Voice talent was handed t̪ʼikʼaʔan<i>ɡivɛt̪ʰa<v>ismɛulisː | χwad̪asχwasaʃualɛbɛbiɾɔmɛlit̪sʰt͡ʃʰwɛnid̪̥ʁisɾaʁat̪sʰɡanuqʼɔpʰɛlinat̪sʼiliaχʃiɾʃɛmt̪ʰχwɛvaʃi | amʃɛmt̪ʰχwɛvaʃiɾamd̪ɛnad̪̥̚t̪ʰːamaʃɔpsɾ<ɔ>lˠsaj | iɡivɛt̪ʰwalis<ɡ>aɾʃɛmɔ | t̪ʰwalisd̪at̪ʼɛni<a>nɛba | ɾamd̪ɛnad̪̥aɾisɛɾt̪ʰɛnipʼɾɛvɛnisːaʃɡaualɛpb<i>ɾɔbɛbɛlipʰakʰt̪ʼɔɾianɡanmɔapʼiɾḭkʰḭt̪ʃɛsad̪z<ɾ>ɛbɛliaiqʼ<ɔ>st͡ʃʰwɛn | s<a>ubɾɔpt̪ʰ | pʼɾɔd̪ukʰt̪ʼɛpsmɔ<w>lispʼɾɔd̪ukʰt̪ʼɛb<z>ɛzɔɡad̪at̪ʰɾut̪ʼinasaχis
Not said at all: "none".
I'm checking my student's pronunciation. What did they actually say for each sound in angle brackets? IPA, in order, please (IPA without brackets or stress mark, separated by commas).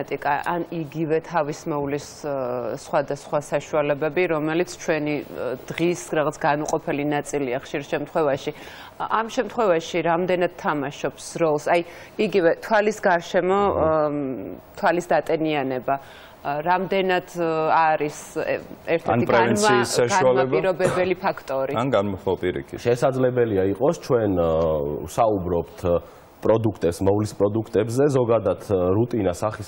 i, v, ɔ, ɡ, a, i, l, ɔ, a, v, z